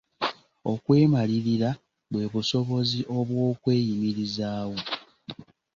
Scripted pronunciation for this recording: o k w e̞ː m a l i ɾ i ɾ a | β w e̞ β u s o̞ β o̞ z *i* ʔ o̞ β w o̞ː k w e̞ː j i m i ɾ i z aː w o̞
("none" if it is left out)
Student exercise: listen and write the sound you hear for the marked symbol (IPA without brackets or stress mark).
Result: i